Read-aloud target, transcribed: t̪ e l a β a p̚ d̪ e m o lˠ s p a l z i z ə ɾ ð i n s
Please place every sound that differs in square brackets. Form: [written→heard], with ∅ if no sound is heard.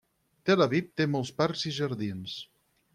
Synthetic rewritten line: t̪ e l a β [a→i] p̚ [d̪→t̪] e m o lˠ s p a [l→ɾ] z i [z→ʒ] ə ɾ ð i n s